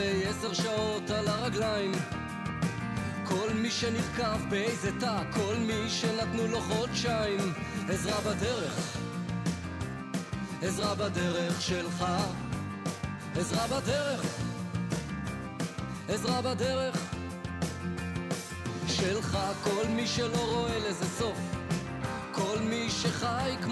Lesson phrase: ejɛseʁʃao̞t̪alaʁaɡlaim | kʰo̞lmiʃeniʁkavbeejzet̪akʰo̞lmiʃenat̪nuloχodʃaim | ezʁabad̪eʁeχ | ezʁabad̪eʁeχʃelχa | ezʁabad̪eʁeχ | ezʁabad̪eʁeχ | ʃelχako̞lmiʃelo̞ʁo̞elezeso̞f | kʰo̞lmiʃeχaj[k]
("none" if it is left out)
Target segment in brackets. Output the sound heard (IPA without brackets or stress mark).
k